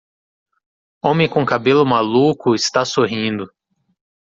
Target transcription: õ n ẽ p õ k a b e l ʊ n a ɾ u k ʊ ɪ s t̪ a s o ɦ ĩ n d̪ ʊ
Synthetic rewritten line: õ m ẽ k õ k a b e l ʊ m a l u k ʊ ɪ s t̪ a s o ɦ ĩ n d̪ ʊ